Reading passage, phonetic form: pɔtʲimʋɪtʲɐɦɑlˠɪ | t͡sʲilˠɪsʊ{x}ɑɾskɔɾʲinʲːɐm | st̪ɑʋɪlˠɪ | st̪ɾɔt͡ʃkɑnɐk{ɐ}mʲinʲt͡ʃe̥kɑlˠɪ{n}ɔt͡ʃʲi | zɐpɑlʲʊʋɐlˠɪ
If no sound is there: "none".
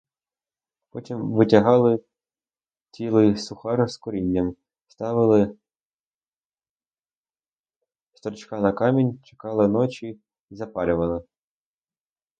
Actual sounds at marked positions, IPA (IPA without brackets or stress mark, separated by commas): x, ɑ, n